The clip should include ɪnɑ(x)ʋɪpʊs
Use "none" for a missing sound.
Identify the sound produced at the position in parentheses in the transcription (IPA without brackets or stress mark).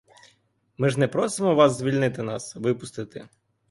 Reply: s